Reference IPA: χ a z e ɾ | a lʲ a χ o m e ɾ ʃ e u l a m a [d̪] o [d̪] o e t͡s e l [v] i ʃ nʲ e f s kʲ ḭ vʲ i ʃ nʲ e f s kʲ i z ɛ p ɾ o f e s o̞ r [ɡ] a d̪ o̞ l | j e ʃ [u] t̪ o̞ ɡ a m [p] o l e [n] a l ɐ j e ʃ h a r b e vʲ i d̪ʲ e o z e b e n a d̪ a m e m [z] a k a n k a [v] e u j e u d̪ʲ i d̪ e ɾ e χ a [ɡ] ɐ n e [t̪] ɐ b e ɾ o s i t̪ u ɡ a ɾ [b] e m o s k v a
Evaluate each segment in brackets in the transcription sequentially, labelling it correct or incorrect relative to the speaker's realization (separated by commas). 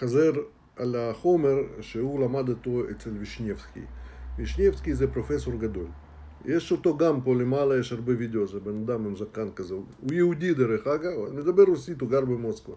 correct, incorrect, correct, correct, incorrect, correct, incorrect, correct, incorrect, correct, incorrect, correct